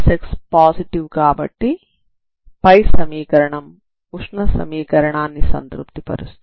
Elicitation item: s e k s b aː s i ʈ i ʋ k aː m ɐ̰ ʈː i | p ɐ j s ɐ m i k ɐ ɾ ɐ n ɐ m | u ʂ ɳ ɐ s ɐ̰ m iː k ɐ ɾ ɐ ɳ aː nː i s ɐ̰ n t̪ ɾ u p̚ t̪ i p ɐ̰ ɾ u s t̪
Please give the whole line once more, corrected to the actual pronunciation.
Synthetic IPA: s e k s p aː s i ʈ i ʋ k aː b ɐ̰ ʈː i | p ɐ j s ɐ m iː k ɐ ɾ ɐ ɳ ɐ m | u ʂ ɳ ɐ s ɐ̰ m iː k ɐ ɾ ɐ ɳ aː nː i s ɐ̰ n t̪ ɾ u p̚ t̪ i p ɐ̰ ɾ u s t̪

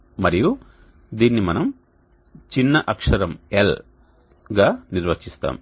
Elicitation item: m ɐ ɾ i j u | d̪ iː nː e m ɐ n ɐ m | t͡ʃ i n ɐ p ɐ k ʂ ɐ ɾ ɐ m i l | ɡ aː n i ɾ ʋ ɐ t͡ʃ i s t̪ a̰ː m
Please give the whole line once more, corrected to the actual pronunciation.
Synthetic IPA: m ɐ ɾ i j u | d̪ iː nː i m ɐ n ɐ m | t͡ʃ i nː ɐ ʔ ɐ k ʂ ɐ ɾ ɐ m e l | ɡ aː n i ɾ ʋ ɐ t͡ʃ i s t̪ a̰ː m

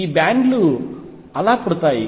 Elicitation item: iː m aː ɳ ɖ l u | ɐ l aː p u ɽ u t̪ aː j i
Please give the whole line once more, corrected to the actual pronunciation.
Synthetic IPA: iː b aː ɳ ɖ l u | ɐ l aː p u ɽ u t̪ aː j i

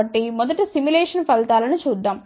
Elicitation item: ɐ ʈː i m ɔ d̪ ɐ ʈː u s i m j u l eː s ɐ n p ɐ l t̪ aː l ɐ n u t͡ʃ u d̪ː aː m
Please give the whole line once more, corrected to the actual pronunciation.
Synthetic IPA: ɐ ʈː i m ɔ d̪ ɐ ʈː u s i m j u l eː ʂ ɐ n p ɐ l t̪ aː l ɐ n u t͡ʃ uː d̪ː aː m

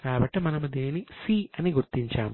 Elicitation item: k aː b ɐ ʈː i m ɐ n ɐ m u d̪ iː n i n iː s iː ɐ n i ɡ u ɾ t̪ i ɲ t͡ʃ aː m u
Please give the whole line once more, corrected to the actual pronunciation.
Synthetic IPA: k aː b ɐ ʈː i m ɐ n ɐ m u d̪ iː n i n i s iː ɐ n i ɡ u ɾ t̪ i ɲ t͡ʃ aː m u

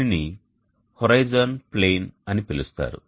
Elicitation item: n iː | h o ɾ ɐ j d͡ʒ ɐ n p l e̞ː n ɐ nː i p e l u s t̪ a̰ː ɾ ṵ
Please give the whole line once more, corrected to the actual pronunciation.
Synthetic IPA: n i | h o ɾ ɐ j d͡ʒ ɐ n p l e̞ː n ɐ n i p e l u s t̪ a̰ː ɾ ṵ

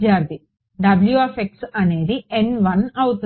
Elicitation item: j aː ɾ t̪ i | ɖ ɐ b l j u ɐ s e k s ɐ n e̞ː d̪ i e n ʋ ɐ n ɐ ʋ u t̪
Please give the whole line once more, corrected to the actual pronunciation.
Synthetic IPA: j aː ɾ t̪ i | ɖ ɐ b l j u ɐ f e k s ɐ n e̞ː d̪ i e n ʋ ɐ n ɐ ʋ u t̪

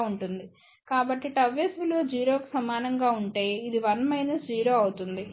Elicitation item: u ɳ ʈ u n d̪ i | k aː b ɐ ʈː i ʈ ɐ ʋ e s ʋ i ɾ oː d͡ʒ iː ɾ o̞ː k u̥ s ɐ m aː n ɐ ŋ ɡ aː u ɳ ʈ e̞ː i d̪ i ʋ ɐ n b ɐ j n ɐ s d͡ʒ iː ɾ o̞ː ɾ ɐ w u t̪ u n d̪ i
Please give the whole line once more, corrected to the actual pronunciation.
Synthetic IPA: u ɳ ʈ u n d̪ i | k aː b ɐ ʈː i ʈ ɐ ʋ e s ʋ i l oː d͡ʒ iː ɾ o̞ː k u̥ s ɐ m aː n ɐ ŋ ɡ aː u ɳ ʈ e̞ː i d̪ i ʋ ɐ n m ɐ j n ɐ s d͡ʒ iː ɾ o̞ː ɐ w u t̪ u n d̪ i

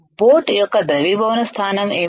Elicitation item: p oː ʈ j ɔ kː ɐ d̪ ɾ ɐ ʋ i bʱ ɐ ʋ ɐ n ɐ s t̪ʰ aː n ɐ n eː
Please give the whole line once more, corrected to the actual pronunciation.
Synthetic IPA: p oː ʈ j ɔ kː ɐ d̪ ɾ ɐ ʋ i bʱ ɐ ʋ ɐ n ɐ s t̪ʰ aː n ɐ m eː

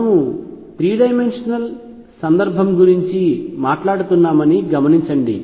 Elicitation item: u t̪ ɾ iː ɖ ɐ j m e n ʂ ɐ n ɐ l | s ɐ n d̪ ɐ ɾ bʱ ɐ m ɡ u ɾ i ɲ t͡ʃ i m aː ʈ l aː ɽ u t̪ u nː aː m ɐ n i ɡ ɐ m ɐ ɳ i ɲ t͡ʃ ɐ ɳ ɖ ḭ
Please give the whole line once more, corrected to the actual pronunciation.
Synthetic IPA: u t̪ ɾ iː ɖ ɐ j m e n ʂ ɐ n ɐ l | s ɐ n d̪ ɐ ɾ bʱ ɐ m ɡ u ɾ i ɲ t͡ʃ i m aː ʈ l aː ɽ u t̪ u nː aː m ɐ n i ɡ ɐ m ɐ n i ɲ t͡ʃ ɐ ɳ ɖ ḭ

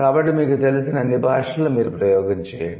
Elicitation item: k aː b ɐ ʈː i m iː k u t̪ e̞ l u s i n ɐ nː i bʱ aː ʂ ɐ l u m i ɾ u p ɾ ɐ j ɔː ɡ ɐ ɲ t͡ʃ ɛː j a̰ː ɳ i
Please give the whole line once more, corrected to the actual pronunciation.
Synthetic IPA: k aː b ɐ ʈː i m iː k u t̪ e̞ l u s i n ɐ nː i bʱ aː ʂ ɐ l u m iː ɾ u p ɾ ɐ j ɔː ɡ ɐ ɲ t͡ʃ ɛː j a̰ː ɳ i

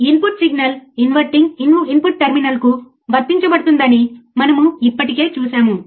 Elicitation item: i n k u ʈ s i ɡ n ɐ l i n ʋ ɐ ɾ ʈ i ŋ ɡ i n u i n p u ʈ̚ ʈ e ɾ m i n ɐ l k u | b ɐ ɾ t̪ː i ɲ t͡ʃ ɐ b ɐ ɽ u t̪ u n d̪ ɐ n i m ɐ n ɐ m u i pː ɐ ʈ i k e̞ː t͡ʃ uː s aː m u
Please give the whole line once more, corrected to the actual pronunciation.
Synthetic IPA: i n p u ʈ s i ɡ n ɐ l i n ʋ ɐ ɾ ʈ i ŋ ɡ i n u i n p u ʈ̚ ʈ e ɾ m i n ɐ l k u | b ɐ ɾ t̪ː i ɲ t͡ʃ ɐ b ɐ ɽ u t̪ u n d̪ ɐ n i m ɐ n ɐ m u i pː ɐ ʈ i k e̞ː t͡ʃ uː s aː m u

